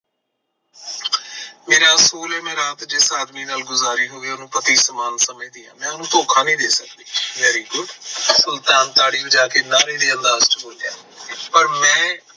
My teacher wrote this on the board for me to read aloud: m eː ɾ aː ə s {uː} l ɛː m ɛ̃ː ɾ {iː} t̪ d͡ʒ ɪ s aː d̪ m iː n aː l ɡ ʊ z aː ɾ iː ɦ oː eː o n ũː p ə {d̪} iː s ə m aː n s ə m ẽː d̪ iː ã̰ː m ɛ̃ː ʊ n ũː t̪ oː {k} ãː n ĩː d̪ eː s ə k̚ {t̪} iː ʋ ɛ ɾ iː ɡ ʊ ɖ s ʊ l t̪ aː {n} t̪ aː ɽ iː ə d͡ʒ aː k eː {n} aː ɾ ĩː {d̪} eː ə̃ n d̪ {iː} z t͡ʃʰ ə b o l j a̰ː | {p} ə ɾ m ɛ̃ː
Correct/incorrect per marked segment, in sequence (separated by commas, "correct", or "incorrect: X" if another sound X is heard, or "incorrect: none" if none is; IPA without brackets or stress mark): correct, incorrect: aː, incorrect: t̪, incorrect: kʰ, incorrect: d̪, correct, correct, correct, incorrect: aː, correct